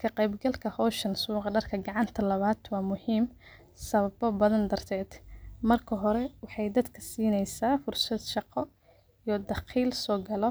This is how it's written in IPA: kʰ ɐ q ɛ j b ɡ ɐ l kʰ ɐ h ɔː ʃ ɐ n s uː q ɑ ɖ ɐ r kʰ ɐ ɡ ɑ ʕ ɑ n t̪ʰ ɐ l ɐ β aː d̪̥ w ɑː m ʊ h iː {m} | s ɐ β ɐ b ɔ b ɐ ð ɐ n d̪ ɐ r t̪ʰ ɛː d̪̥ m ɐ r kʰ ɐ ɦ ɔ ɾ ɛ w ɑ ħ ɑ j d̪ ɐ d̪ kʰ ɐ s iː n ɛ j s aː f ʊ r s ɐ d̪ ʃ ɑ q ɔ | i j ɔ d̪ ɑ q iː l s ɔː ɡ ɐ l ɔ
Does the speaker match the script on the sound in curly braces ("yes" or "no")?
yes